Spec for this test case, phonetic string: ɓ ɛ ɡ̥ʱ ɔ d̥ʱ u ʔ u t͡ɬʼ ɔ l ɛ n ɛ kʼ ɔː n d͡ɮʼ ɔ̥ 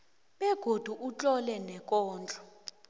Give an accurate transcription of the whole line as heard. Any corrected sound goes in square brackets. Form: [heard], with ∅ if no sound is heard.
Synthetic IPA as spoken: ɓ ɛ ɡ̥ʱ [o] d̥ʱ u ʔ u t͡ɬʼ ɔ l ɛ n ɛ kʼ ɔː n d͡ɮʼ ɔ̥

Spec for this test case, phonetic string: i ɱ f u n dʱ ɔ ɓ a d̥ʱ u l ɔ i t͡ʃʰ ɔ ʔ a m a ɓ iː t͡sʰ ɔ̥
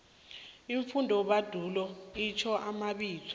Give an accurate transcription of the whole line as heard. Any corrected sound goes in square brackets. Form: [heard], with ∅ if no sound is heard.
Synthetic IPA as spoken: i ɱ f u n dʱ ɔ ɓ a d̥ʱ u l ɔ i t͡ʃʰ ɔ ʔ a m a ɓ iː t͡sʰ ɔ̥

